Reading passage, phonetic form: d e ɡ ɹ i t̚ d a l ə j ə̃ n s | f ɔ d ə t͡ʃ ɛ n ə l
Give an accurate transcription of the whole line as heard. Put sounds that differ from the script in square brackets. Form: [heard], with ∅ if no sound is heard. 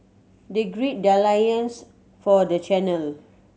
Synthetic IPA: d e ɡ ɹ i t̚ d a l [a] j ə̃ n s | f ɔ d ə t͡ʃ ɛ n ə l